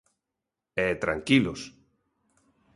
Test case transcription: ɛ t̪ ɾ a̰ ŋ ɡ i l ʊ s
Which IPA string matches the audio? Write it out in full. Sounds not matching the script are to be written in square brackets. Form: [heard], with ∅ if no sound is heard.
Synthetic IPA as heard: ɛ t̪ ɾ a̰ ŋ [k] i l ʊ s